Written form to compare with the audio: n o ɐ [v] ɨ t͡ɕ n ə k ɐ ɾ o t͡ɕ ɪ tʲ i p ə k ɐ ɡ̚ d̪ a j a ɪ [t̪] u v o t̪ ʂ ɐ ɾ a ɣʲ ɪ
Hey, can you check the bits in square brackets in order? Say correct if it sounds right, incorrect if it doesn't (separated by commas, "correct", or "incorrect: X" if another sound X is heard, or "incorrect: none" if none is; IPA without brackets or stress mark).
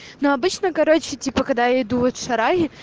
incorrect: b, incorrect: d̪